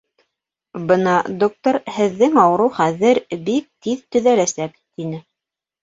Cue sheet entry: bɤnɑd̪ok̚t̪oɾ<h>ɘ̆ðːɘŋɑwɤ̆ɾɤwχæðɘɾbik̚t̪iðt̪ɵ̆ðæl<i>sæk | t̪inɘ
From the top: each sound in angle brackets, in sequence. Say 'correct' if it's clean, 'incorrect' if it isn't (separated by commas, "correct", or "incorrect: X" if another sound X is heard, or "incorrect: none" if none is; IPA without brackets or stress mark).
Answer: correct, incorrect: æ